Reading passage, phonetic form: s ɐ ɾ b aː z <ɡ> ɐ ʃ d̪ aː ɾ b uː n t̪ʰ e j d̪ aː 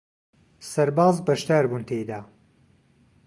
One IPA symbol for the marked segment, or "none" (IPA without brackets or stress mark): b